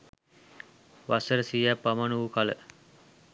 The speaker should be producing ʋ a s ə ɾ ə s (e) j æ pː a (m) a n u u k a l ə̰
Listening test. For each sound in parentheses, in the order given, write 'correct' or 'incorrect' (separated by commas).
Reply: incorrect, correct